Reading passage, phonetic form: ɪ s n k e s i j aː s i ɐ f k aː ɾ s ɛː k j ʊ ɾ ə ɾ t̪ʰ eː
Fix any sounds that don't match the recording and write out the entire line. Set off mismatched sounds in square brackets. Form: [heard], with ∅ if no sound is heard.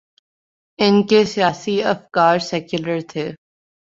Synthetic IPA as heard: ɪ [∅] n k e s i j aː s i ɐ f k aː ɾ s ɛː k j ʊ [l] ə ɾ t̪ʰ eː